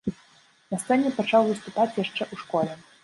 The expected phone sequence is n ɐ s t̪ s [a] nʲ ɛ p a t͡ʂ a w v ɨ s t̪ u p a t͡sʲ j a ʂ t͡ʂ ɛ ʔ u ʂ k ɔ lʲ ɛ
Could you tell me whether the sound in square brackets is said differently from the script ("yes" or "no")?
yes